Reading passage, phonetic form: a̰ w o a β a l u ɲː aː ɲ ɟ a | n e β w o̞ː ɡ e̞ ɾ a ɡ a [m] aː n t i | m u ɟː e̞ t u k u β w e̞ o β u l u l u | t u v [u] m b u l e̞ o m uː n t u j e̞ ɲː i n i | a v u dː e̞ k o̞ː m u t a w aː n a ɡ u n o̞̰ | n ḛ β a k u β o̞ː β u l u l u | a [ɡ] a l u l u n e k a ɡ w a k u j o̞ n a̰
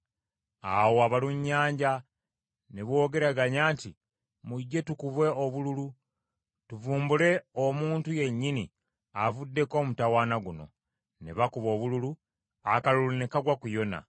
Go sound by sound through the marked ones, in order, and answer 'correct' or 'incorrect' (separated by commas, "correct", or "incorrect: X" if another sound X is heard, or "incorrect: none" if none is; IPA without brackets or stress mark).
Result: incorrect: ɲ, incorrect: uː, incorrect: k